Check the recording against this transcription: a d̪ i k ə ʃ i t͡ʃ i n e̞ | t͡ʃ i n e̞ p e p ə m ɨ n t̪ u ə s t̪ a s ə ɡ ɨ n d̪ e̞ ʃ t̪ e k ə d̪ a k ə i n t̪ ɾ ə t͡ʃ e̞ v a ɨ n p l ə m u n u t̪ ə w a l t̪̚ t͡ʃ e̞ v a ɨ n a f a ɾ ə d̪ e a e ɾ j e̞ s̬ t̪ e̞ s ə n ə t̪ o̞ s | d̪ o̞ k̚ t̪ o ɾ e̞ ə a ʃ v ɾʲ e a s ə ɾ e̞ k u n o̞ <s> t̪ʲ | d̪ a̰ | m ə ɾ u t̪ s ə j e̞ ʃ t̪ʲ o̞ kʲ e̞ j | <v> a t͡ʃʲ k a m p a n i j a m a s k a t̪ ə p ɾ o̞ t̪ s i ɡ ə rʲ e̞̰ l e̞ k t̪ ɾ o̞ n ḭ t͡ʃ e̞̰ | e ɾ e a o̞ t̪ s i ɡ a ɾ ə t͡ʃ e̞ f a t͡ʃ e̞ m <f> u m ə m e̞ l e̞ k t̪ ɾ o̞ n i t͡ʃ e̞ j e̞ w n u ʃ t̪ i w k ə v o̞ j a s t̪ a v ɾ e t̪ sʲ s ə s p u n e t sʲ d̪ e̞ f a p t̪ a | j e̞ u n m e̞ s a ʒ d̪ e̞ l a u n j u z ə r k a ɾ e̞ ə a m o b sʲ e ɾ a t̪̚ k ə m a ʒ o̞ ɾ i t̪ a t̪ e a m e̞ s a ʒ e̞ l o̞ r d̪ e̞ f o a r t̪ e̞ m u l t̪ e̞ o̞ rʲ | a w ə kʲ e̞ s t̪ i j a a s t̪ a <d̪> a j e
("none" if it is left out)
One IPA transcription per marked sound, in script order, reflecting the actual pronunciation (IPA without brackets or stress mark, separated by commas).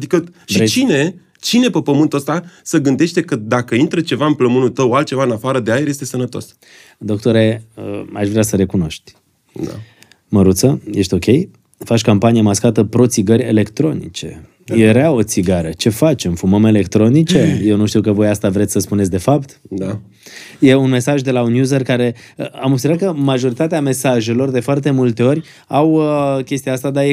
ʃ, f, f, d̪